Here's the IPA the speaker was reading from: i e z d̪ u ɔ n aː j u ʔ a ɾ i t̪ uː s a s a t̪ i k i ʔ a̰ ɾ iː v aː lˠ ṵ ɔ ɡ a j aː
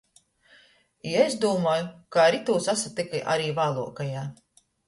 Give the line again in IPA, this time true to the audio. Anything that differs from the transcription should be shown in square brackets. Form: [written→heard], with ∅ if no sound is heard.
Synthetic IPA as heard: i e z d̪ u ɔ [n→m] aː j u [ʔ→k] a ɾ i t̪ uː s a s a t̪ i k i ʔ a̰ ɾ iː v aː lˠ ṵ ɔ [ɡ→k] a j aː